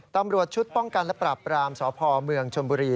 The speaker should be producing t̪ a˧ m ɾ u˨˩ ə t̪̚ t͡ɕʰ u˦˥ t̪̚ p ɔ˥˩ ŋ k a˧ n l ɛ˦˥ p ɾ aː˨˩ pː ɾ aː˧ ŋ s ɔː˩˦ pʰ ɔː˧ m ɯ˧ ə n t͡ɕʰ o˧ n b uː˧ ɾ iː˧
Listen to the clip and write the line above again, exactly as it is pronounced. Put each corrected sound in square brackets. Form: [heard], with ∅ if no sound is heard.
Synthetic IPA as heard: t̪ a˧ m ɾ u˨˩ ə t̪̚ t͡ɕʰ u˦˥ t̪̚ p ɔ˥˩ ŋ k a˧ n l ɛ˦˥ p ɾ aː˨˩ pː ɾ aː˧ [m] s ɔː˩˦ pʰ ɔː˧ m ɯ˧ ə [ŋ] t͡ɕʰ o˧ n b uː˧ ɾ iː˧